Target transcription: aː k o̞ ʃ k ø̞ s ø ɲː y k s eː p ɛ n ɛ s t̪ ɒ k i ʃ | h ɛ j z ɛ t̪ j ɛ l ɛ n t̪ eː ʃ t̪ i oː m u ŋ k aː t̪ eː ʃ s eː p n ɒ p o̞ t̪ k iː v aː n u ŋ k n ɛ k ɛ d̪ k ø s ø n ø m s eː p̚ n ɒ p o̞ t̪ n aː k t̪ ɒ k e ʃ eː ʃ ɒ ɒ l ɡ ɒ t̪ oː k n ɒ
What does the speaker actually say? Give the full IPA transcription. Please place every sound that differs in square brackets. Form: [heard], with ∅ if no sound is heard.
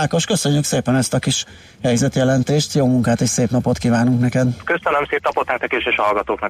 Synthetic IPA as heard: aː k o̞ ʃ k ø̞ s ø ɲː y k s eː p ɛ n ɛ s t̪ ɒ k i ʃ | h ɛ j z ɛ t̪ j ɛ l ɛ n t̪ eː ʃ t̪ [j] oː m u ŋ k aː t̪ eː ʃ s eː p n ɒ p o̞ t̪ k iː v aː n u ŋ k n ɛ k ɛ d̪ k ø s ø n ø m s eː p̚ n ɒ p o̞ t̪ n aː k t̪ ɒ k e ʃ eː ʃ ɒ ɒ l ɡ ɒ t̪ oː k n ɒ